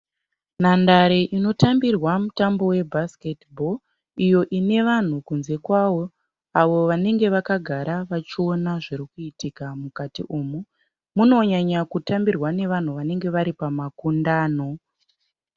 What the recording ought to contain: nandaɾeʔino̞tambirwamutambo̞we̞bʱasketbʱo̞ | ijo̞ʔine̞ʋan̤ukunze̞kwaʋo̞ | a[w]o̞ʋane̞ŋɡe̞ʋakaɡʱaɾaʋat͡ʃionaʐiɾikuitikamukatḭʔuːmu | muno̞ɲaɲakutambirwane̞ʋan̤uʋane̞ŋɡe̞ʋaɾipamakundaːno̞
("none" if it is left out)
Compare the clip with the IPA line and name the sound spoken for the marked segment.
ʋ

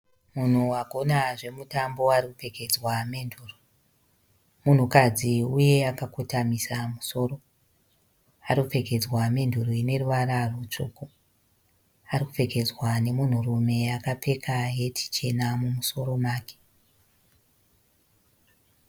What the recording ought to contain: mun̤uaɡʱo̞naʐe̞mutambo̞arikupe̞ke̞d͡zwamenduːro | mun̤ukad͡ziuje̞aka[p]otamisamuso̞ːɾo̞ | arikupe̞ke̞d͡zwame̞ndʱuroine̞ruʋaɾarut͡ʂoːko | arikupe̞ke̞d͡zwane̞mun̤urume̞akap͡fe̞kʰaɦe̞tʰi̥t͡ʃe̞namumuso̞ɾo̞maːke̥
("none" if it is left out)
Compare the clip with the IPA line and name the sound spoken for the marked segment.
k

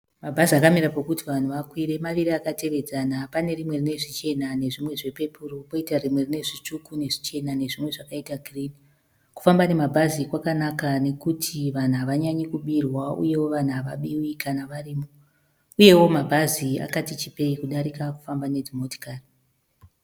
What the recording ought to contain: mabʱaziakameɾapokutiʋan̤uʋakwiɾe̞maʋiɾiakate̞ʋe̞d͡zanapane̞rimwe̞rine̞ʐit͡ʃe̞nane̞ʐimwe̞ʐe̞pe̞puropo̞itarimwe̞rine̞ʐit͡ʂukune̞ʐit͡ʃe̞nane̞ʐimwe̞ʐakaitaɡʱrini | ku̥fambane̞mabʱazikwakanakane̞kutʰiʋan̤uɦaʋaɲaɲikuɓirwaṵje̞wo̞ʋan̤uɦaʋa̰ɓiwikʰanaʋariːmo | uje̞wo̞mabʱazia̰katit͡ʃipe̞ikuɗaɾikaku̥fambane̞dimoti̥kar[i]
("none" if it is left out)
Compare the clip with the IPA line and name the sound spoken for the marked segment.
i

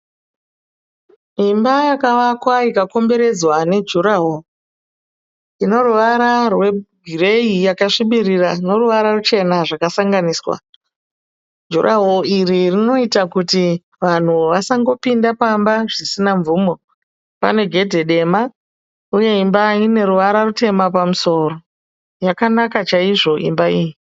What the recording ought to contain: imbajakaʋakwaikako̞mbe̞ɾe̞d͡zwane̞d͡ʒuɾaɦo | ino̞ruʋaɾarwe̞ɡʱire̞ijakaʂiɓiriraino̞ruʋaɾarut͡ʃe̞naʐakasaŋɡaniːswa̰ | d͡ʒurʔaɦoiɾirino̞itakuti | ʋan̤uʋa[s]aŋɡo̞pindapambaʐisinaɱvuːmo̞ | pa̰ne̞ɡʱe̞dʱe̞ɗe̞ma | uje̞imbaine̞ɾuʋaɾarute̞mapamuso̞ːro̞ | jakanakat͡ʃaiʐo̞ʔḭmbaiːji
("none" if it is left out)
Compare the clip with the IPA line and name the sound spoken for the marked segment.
s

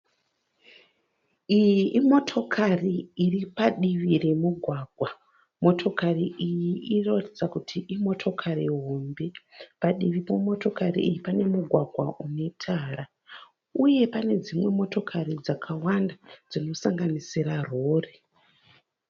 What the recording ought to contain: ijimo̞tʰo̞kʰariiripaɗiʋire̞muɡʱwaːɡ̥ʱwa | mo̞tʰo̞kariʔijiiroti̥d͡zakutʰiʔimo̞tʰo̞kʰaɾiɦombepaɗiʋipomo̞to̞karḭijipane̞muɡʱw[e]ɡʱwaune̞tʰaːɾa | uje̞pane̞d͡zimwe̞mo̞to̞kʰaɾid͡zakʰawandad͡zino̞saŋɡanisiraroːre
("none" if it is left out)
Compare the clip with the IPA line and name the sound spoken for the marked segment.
a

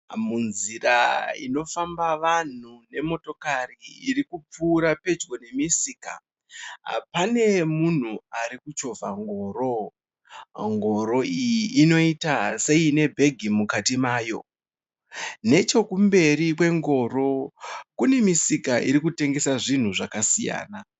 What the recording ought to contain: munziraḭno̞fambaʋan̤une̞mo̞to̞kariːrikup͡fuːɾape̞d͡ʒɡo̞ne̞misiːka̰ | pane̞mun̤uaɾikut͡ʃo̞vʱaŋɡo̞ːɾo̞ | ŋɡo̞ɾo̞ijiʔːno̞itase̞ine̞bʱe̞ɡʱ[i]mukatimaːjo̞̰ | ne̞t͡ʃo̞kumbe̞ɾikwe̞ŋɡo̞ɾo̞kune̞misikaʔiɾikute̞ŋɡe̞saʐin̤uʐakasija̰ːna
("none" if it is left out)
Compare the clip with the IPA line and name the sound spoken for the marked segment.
i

